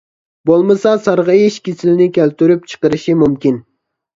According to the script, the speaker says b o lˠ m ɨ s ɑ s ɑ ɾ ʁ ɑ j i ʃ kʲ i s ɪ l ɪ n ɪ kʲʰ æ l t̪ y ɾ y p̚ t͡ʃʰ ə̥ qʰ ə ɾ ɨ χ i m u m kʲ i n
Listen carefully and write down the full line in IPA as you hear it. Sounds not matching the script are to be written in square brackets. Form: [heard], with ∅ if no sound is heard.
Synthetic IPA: b o lˠ m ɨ s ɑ s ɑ ɾ ʁ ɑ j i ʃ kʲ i s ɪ l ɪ n ɪ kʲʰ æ l t̪ y ɾ y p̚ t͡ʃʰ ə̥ [q] ə ɾ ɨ [ʃ] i m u m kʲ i n